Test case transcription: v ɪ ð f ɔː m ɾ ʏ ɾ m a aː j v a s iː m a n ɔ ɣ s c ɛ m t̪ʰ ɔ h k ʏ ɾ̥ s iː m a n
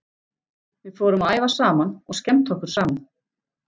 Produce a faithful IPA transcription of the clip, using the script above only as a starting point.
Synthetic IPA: v ɪ ð f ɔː ɾ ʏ m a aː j v a s aː m a n ɔ ɣ s c ɛ m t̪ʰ ɔ h k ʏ ɾ̥ s aː m a n